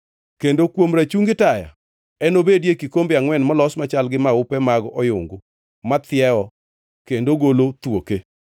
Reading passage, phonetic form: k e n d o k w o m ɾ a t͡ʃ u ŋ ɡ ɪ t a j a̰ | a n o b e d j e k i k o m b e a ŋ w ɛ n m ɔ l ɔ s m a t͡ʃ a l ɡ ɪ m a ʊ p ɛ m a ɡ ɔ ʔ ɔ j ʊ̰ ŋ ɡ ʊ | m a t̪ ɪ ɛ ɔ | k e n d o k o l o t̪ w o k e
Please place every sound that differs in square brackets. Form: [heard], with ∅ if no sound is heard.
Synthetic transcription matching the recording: k e n d o k w o m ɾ a t͡ʃ u ŋ ɡ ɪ t a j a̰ | [ɛ] n o b e d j e k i k o m b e a ŋ w ɛ n m ɔ l ɔ s m a t͡ʃ a l ɡ ɪ m a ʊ p ɛ m a ɡ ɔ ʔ ɔ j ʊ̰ ŋ ɡ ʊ | m a t̪ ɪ ɛ ɔ | k e n d o [ɡ] o l o t̪ w o k e